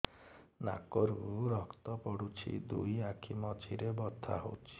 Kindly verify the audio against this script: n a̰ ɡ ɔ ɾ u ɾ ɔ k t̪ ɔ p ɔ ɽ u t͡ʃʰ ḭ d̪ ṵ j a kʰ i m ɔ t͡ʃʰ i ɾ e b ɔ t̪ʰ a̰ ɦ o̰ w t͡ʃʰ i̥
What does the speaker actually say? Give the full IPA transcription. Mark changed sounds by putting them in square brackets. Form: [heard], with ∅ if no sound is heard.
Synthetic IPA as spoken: n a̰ [k] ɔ ɾ u ɾ ɔ k t̪ ɔ p ɔ ɽ u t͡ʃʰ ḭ d̪ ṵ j a kʰ i m ɔ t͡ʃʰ i ɾ e b ɔ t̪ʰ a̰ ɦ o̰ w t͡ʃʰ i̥

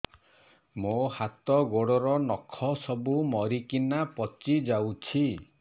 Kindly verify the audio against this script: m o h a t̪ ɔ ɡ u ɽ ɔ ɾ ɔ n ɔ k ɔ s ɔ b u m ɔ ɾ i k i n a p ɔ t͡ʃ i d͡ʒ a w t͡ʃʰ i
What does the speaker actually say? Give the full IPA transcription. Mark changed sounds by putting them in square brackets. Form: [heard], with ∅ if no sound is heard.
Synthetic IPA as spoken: m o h a t̪ ɔ ɡ [o] ɽ ɔ ɾ ɔ n ɔ [kʰ] ɔ s ɔ b u m ɔ ɾ i k i n a p ɔ t͡ʃ i d͡ʒ a w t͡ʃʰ i

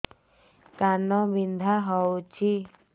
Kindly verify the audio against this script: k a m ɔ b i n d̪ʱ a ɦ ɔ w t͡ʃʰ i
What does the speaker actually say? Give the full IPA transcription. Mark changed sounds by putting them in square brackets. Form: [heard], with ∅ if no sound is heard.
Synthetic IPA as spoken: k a [n] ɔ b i n d̪ʱ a ɦ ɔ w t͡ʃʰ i

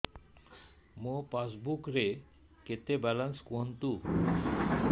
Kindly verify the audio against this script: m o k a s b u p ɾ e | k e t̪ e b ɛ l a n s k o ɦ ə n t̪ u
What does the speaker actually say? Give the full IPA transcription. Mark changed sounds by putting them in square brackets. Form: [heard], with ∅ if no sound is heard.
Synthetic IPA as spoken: m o [p] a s b u [k] ɾ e | k e t̪ e b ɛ l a n s k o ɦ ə n t̪ u

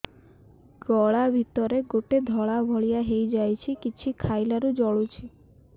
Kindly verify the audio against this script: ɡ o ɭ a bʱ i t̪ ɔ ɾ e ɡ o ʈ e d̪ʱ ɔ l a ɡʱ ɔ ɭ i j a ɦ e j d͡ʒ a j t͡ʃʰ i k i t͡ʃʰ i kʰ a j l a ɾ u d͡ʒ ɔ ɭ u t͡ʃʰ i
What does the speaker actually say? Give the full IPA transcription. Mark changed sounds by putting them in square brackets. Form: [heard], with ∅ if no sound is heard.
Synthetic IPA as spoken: ɡ [ɔ] ɭ a bʱ i t̪ ɔ ɾ e ɡ o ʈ e d̪ʱ ɔ [ɭ] a [bʱ] ɔ ɭ i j a ɦ e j d͡ʒ a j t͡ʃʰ i k i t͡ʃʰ i kʰ a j l a ɾ u d͡ʒ ɔ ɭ u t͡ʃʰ i

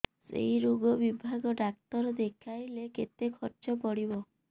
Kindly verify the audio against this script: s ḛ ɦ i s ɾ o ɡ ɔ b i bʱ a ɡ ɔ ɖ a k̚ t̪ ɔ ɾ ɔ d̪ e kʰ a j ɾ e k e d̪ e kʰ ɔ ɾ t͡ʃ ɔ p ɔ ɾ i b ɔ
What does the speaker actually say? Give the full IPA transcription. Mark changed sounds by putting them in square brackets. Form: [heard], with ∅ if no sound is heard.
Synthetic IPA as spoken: s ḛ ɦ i [∅] ɾ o ɡ ɔ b i bʱ a ɡ ɔ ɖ a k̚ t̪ ɔ ɾ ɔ d̪ e kʰ a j [l] e k e [t̪] e kʰ ɔ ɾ t͡ʃ ɔ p ɔ [ɽ] i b ɔ

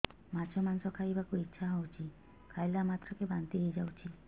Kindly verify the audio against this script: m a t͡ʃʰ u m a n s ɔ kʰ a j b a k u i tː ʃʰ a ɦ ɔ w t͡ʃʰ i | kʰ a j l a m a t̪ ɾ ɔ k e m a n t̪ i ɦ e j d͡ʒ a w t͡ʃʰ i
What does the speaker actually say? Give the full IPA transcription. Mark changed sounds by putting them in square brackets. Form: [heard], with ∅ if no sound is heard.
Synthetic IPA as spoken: m a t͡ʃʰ [ɔ] m a n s ɔ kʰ a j b a k u i tː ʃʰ a ɦ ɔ w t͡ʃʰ i | kʰ a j l a m a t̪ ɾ ɔ k e [b] a n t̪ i ɦ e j d͡ʒ a w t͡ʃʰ i

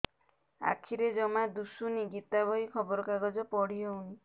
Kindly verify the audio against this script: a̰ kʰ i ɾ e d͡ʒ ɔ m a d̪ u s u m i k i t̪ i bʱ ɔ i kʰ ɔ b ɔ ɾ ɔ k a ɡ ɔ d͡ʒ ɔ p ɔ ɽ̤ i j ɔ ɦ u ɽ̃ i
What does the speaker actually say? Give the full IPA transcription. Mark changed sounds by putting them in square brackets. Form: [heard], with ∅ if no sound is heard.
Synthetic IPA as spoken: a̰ kʰ i ɾ e d͡ʒ ɔ m a d̪ u s u [n] i [ɡ] i t̪ [a] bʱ ɔ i kʰ ɔ b ɔ ɾ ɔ k a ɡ ɔ d͡ʒ ɔ p ɔ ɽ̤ i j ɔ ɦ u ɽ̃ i

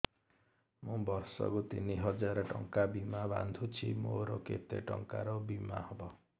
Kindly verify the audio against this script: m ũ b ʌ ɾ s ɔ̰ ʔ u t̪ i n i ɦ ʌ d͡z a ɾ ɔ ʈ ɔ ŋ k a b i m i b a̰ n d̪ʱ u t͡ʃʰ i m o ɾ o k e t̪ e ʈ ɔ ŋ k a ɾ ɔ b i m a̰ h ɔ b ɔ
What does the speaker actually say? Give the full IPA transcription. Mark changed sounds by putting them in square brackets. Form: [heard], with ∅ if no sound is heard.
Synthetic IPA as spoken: m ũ b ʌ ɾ s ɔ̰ [k] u t̪ i n i ɦ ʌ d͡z a ɾ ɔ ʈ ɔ ŋ k a b i m [a] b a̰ n d̪ʱ u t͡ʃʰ i m o ɾ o k e t̪ e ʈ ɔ ŋ k a ɾ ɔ b i m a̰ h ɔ b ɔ

